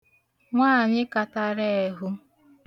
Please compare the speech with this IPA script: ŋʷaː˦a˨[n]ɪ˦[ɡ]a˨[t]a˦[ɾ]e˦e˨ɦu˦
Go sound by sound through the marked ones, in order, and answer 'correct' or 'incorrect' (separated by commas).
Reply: incorrect, incorrect, correct, correct